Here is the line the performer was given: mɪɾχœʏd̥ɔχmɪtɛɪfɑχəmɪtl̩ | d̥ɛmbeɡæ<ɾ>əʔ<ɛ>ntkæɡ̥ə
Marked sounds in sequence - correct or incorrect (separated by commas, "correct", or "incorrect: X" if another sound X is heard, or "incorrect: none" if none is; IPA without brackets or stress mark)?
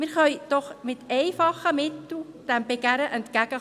correct, correct